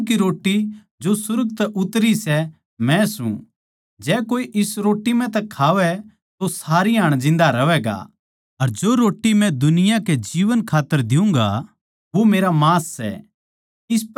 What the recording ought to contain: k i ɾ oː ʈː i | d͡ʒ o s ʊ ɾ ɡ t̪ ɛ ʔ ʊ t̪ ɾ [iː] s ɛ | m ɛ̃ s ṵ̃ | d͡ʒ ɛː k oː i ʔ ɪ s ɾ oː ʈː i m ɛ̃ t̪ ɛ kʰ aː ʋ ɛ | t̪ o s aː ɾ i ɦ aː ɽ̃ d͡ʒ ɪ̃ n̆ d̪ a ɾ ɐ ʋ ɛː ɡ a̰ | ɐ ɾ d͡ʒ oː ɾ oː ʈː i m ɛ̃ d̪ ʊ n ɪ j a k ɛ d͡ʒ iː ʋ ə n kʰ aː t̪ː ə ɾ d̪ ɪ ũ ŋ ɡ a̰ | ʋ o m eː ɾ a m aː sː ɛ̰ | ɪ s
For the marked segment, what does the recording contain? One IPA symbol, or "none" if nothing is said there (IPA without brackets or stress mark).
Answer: i